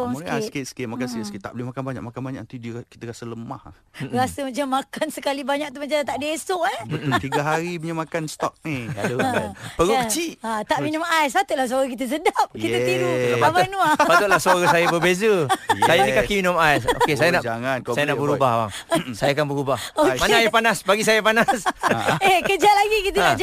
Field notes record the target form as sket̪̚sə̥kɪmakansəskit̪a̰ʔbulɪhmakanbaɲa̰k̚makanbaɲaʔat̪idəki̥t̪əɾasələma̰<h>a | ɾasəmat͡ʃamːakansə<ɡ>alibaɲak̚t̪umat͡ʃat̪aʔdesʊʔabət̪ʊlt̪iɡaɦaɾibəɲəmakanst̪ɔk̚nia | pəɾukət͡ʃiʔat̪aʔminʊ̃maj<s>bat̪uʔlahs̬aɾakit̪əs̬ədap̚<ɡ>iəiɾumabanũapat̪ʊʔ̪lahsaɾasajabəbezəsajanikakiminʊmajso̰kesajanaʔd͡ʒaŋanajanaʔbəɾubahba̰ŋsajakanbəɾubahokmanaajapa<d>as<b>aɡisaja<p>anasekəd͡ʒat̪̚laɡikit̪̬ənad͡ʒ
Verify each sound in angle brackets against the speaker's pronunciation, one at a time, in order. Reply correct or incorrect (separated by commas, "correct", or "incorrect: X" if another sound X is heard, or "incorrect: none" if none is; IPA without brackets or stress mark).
correct, incorrect: k, correct, incorrect: k, incorrect: n, correct, correct